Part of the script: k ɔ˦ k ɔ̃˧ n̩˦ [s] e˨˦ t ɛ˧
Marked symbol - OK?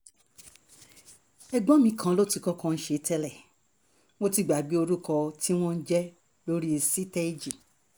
no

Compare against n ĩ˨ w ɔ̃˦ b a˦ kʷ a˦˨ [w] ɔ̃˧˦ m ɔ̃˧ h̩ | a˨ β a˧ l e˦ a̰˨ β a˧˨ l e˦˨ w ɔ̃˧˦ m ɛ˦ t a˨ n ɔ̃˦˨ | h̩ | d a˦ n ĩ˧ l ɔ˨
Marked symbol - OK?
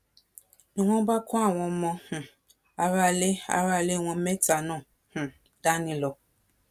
yes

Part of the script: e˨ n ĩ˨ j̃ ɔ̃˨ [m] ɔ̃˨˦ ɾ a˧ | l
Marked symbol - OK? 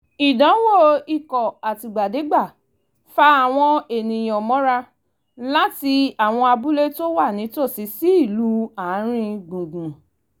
yes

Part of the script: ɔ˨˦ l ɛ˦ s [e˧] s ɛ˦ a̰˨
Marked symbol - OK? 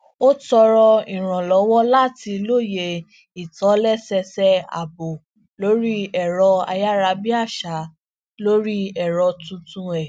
no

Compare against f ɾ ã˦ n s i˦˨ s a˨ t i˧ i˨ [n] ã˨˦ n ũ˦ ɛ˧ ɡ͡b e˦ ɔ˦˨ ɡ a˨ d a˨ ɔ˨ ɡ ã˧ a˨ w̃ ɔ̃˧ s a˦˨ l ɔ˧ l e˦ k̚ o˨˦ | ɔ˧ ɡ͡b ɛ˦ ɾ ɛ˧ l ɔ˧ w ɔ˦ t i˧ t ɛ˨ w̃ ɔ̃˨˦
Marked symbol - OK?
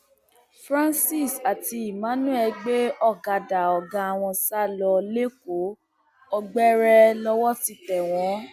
no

